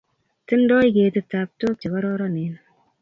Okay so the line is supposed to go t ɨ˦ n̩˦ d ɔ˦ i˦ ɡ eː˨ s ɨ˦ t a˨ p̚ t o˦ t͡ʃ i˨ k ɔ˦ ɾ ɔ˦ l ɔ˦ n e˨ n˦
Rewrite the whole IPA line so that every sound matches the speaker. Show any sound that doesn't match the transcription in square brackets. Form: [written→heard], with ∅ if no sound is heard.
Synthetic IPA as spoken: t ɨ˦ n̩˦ d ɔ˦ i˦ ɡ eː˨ [s→t] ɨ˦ t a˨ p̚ t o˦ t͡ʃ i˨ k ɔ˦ ɾ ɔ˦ [l→ɾ] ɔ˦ n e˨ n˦